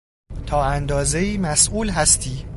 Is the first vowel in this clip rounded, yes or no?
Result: yes